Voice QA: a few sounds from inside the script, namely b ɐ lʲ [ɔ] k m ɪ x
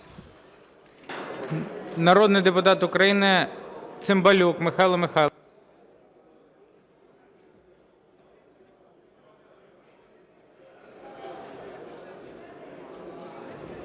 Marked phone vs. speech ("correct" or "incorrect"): incorrect